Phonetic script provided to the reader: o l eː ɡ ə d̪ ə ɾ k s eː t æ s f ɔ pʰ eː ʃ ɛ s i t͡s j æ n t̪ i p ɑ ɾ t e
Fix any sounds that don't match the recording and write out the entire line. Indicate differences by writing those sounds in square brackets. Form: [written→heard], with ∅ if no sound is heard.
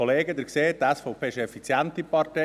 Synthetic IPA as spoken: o l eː ɡ ə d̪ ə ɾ k s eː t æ s f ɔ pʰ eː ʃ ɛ [s→f] i t͡s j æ n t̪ i p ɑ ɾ t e